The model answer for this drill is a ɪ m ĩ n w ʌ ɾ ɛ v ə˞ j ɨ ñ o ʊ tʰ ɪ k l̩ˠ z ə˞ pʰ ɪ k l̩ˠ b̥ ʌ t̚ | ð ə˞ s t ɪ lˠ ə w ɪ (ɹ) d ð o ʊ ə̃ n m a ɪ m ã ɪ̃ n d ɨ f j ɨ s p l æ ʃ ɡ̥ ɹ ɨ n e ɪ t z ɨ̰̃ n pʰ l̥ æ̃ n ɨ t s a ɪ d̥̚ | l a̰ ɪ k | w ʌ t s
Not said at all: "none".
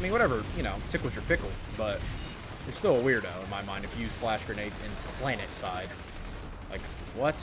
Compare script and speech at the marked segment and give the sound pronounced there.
ɹ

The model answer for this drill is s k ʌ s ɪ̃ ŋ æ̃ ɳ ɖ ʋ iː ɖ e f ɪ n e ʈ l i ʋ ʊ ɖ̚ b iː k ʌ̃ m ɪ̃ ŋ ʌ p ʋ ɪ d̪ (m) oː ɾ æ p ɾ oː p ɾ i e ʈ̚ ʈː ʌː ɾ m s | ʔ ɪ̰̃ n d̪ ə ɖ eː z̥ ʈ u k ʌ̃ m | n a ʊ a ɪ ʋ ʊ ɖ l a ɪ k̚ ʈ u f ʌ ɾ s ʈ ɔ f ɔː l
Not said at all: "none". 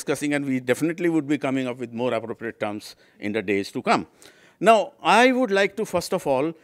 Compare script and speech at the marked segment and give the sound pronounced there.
m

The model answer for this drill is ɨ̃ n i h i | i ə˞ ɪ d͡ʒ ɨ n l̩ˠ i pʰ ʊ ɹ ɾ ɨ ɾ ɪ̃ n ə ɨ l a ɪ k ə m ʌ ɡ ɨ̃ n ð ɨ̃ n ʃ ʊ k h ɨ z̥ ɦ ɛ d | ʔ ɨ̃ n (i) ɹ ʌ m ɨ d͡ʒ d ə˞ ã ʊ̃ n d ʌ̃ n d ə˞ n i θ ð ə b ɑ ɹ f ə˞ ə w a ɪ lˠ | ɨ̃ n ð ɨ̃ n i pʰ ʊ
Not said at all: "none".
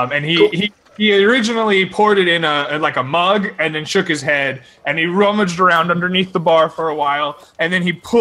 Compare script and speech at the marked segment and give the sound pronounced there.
i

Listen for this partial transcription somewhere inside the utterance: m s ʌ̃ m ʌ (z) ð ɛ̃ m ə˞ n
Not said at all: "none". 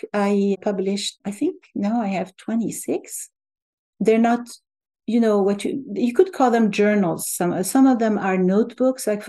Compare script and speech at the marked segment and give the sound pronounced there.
v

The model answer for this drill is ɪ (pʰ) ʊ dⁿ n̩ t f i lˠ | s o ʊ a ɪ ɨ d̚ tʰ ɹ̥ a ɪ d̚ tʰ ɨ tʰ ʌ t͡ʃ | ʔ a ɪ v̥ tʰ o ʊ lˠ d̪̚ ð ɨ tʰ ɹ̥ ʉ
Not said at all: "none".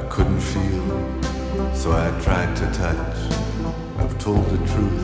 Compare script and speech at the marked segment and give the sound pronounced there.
kʰ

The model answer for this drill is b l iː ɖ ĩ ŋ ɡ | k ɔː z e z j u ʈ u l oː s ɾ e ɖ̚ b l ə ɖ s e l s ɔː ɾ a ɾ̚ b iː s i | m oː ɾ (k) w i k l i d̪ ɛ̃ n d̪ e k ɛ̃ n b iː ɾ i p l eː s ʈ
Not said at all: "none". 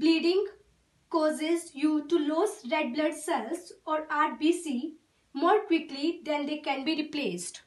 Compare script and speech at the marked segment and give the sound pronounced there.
k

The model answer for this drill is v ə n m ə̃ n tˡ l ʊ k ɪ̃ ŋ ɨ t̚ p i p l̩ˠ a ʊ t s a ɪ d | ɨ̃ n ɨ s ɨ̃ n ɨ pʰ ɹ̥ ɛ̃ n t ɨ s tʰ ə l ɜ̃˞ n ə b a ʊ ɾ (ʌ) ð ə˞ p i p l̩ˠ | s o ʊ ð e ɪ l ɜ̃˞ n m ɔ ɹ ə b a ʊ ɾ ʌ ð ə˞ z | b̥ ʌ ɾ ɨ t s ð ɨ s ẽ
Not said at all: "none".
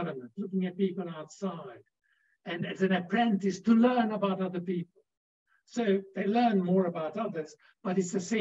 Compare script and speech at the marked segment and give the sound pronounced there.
ʌ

